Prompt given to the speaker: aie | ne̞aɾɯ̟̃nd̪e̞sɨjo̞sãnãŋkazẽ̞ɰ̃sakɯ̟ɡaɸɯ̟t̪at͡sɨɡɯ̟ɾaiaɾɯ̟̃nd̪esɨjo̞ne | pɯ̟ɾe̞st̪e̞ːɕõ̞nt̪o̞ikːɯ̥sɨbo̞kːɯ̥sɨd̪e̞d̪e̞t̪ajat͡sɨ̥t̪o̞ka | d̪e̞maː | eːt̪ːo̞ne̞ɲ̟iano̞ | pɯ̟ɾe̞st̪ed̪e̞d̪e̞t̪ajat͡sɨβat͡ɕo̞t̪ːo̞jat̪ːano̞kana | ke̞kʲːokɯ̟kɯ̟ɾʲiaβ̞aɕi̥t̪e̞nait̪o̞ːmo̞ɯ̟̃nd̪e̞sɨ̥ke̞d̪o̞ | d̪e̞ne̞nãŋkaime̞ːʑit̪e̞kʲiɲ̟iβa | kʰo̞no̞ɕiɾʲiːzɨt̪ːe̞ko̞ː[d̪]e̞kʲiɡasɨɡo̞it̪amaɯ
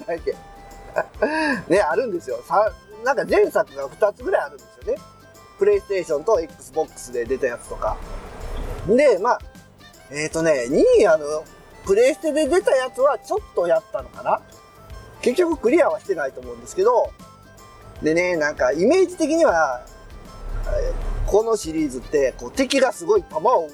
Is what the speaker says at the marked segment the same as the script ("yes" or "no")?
no